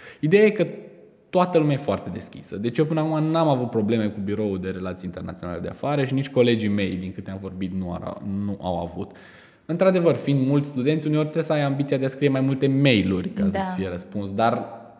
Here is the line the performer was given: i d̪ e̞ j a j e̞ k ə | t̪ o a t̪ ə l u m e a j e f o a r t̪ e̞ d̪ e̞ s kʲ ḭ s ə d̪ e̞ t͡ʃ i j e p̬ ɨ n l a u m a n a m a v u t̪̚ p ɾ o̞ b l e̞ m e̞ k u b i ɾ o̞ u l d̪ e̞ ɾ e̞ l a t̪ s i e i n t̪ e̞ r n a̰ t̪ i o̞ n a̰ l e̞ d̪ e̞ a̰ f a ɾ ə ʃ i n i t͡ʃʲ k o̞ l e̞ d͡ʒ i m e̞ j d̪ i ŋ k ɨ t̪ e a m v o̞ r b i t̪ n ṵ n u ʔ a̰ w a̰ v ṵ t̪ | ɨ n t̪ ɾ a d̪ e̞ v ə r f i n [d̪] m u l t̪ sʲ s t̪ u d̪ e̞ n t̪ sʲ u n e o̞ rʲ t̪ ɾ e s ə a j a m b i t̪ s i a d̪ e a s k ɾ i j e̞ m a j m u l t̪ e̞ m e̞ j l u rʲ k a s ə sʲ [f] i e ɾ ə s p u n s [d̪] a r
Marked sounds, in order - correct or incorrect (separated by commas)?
correct, correct, correct